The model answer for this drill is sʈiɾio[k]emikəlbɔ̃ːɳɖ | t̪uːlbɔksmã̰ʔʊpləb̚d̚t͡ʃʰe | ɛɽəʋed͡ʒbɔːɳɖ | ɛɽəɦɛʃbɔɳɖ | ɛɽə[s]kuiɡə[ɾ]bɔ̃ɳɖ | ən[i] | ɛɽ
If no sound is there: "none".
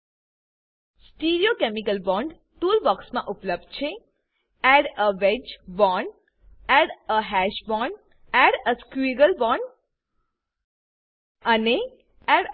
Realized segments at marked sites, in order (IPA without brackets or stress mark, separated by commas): k, s, l, e